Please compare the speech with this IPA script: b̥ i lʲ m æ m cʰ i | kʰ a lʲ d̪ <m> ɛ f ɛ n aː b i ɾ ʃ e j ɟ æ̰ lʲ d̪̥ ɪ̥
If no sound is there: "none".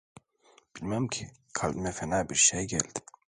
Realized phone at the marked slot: m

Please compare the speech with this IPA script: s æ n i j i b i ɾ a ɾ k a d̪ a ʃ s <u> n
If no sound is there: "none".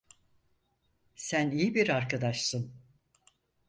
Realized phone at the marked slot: ɯ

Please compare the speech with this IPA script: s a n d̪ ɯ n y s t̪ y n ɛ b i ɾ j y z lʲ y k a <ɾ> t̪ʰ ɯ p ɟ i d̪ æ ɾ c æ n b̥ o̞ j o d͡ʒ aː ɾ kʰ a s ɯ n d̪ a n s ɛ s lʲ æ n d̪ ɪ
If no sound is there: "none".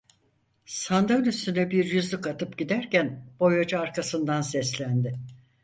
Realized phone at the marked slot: none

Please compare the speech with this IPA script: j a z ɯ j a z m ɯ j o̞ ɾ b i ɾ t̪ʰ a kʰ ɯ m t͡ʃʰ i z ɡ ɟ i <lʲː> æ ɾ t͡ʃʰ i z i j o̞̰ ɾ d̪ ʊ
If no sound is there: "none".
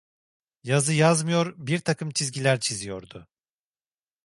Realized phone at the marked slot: lʲ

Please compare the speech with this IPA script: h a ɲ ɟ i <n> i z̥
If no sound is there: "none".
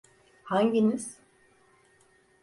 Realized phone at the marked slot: n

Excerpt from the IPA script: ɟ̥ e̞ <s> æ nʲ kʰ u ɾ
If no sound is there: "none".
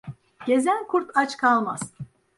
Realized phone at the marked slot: z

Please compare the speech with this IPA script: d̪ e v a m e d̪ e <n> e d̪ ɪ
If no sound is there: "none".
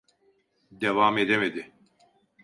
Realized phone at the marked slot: m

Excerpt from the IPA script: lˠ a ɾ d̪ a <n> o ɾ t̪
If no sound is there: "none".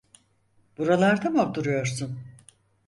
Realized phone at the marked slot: m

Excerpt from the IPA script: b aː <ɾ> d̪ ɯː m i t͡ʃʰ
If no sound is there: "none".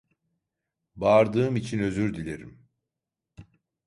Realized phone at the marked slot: ɾ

